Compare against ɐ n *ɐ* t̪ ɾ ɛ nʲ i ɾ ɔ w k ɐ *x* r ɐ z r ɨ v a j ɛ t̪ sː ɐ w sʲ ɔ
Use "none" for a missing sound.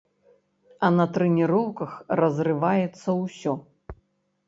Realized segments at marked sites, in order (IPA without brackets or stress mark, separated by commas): ɐ, x